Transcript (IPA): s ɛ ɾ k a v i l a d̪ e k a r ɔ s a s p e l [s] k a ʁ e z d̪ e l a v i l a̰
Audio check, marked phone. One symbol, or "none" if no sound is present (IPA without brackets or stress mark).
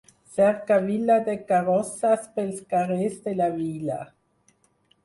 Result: s